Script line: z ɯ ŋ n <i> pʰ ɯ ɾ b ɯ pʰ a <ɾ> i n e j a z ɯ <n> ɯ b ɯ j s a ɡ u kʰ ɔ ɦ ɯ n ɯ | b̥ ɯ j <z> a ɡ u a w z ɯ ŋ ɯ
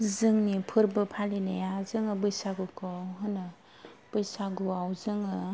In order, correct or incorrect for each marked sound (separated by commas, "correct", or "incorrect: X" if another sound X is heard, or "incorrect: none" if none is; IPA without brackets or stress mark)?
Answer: correct, incorrect: l, incorrect: ŋ, incorrect: s